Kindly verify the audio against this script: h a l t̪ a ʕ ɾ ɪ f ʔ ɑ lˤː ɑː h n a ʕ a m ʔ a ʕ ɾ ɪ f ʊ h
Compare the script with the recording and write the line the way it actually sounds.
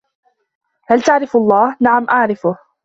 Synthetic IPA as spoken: h a l t̪ a ʕ ɾ ɪ f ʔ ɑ lˤː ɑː h n a ʕ a m ʔ a ʕ ɾ ɪ f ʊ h